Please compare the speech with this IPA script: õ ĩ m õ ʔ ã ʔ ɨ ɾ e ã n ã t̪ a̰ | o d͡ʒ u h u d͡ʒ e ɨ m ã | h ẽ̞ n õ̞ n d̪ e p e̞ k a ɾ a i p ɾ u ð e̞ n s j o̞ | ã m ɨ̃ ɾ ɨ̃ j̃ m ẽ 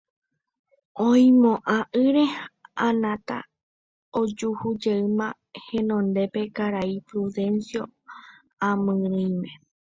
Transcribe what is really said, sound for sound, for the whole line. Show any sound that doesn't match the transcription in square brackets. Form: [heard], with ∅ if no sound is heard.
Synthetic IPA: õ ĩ m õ ʔ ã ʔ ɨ ɾ e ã n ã t̪ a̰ | o d͡ʒ u h u d͡ʒ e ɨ m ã | h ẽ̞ n õ̞ n d̪ e p e̞ k a ɾ a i p ɾ u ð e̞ n s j o̞ | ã m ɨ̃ ɾ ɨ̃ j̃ m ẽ